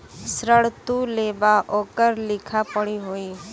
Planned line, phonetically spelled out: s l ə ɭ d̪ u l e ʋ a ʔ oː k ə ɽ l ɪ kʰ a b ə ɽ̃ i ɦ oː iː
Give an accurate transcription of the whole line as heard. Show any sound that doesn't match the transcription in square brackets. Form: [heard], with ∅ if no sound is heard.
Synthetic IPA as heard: s [ɾ] ə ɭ [t̪] u l e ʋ a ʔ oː k ə [ɾ] l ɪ kʰ a [p] ə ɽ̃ i ɦ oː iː